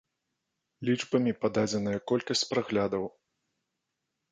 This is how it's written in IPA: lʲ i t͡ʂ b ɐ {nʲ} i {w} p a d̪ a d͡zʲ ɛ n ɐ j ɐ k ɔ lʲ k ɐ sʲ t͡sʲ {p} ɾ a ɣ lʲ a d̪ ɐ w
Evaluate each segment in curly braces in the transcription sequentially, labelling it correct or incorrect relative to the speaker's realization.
incorrect, incorrect, correct

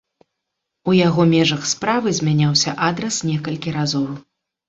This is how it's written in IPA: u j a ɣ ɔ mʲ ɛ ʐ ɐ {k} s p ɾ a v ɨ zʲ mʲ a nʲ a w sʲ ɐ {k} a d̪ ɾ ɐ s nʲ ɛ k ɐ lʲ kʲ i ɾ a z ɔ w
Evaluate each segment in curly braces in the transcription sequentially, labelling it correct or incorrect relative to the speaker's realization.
incorrect, incorrect

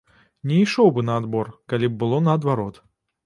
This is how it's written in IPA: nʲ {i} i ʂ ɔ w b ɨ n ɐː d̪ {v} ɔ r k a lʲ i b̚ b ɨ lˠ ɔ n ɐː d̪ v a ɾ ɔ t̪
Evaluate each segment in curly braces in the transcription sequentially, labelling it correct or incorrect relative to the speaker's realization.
incorrect, incorrect

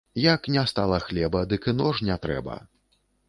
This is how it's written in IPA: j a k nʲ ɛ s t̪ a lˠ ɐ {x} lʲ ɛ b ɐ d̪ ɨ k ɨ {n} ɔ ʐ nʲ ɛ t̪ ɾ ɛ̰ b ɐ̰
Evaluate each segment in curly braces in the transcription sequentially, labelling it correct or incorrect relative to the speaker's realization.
correct, correct

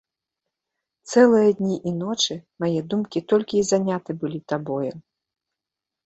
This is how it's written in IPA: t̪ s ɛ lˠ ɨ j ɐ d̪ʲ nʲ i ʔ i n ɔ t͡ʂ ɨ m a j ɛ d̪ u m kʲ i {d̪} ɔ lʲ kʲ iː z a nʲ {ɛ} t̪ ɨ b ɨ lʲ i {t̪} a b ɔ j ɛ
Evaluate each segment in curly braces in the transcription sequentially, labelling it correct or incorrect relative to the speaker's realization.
incorrect, incorrect, correct

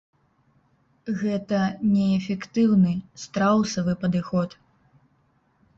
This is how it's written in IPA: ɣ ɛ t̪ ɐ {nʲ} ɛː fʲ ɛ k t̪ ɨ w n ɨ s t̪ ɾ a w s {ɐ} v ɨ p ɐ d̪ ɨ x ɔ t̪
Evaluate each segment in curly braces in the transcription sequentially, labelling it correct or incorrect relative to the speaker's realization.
correct, correct

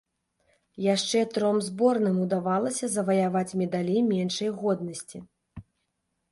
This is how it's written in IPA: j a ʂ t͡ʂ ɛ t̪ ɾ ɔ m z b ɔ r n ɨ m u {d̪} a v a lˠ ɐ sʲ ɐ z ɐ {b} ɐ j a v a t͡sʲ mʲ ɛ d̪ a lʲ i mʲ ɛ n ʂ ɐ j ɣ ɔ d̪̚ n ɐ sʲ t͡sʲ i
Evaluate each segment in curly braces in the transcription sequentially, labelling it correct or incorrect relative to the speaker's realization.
correct, incorrect

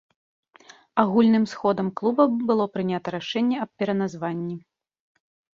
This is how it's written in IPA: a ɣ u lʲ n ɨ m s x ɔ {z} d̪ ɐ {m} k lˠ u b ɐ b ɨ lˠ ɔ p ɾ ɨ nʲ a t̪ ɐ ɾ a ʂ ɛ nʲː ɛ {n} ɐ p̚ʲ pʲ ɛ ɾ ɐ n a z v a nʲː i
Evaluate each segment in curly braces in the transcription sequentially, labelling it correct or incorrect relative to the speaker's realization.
incorrect, correct, incorrect

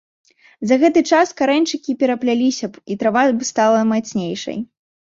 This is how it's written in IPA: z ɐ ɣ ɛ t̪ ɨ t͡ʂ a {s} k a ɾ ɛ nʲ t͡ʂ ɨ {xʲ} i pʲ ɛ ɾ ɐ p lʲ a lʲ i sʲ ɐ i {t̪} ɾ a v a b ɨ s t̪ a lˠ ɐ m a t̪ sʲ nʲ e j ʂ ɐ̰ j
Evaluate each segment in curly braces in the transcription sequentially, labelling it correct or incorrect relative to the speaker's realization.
correct, incorrect, correct

